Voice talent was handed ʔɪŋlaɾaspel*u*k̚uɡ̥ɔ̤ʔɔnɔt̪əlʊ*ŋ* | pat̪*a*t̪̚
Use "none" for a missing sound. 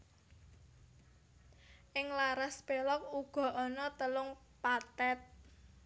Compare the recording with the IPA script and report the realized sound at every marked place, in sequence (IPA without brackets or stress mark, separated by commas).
ɔ, ŋ, ɛ